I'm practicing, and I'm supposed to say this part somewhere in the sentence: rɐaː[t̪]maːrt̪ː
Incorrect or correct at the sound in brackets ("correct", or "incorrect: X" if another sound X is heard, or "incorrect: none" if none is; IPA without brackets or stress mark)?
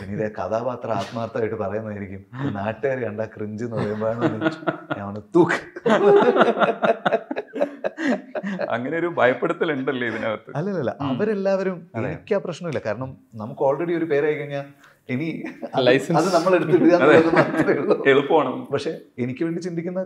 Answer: correct